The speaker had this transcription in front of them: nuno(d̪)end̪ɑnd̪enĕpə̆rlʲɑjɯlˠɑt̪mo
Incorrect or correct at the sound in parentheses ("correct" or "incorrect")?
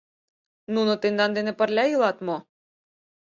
incorrect